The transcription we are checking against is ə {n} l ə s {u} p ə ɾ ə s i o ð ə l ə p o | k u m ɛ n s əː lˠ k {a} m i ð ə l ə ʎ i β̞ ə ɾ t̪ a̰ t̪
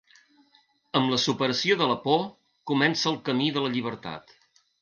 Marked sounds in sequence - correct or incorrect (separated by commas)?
incorrect, correct, incorrect